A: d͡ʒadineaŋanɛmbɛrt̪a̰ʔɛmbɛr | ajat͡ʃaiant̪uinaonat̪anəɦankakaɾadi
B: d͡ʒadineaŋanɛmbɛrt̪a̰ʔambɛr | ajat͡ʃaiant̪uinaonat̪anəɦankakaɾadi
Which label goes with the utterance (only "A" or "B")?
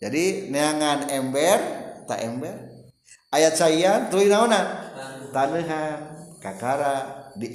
A